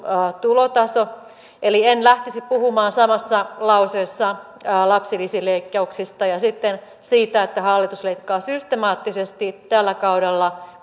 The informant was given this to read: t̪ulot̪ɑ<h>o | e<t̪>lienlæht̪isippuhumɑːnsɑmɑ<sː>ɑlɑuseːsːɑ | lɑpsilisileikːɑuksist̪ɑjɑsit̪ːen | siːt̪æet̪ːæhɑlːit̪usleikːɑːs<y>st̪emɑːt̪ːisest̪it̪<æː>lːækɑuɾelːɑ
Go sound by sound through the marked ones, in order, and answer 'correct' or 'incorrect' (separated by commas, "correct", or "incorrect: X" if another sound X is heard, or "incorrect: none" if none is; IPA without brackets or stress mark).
incorrect: s, incorrect: none, correct, correct, incorrect: æ